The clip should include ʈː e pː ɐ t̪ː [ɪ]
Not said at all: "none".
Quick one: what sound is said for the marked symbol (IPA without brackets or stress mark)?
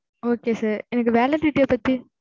i